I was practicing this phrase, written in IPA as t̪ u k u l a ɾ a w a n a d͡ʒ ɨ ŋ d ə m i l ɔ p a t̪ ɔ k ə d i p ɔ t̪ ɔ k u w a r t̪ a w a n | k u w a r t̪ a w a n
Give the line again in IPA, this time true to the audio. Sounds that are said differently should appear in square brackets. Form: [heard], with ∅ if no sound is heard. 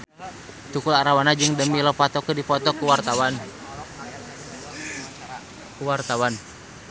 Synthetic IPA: t̪ u k u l a ɾ a w a n a d͡ʒ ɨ ŋ d ə m i l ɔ p a t̪ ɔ k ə d i p ɔ t̪ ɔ k u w a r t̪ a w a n | k u w a r t̪ a w a n